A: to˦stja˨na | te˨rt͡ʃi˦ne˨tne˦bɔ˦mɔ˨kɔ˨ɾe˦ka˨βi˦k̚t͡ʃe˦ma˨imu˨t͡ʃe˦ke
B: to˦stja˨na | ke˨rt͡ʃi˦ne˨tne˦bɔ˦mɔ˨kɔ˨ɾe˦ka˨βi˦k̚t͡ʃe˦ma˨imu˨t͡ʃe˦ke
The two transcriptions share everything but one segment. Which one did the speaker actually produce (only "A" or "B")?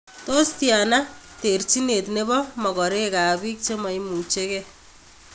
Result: A